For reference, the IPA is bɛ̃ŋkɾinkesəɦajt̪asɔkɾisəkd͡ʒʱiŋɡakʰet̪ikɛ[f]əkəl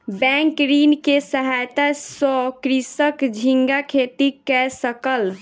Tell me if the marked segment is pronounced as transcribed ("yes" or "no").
no